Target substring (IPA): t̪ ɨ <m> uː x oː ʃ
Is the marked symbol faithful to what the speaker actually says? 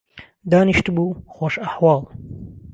no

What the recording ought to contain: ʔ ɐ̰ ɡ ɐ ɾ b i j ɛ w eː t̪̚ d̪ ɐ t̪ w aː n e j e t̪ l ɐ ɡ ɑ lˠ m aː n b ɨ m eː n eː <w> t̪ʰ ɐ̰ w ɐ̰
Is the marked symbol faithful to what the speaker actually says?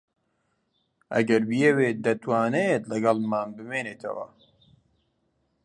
no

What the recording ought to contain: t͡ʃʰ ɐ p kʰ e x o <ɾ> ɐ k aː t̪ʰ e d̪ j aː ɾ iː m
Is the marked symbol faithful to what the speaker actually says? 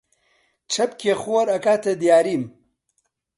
yes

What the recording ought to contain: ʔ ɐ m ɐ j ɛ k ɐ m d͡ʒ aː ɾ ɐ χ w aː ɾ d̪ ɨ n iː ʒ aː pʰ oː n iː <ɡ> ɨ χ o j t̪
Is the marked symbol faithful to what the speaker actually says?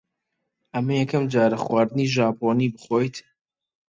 no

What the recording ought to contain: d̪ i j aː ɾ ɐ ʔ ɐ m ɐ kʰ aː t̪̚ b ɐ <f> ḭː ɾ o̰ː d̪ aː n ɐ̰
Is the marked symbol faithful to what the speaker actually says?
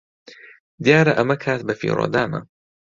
yes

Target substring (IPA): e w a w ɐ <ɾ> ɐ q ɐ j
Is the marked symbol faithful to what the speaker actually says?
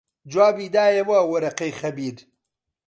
yes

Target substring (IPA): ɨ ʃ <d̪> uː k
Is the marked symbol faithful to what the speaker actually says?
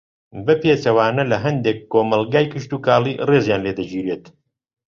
no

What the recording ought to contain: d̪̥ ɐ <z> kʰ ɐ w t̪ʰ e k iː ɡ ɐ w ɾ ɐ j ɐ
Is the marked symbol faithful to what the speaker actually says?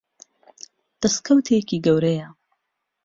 no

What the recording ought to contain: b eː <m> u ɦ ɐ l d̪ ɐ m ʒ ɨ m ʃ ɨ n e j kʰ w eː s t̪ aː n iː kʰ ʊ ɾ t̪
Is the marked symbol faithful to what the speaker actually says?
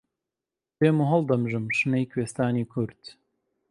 yes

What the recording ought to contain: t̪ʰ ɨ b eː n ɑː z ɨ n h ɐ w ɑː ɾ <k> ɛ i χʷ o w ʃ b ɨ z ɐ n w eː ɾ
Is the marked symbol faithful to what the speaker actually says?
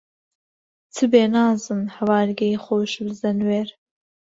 no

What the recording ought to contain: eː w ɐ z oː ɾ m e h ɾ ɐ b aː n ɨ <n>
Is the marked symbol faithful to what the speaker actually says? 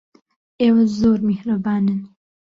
yes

